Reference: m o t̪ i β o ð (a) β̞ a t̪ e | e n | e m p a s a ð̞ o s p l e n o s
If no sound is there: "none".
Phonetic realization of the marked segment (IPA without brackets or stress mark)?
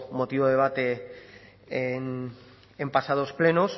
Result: e